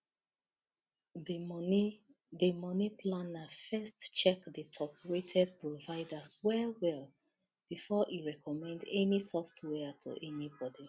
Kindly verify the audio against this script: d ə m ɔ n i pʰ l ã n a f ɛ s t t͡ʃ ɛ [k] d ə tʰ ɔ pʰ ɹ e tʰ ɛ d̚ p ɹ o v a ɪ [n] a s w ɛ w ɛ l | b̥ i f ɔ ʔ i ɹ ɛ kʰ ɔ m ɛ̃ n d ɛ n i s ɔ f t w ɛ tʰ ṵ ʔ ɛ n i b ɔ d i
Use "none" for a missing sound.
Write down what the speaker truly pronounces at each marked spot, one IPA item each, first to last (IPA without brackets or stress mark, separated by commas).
k, d